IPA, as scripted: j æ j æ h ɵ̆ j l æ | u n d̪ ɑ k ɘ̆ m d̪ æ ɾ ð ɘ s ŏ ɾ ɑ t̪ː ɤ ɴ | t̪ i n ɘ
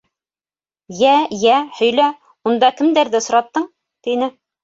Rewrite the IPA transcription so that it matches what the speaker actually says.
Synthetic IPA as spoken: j æ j æ h ɵ̆ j l æ | u n d̪ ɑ k ɘ̆ m d̪ æ ɾ ð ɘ s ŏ ɾ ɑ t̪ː ɤ ɴ | t̪ i n ɘ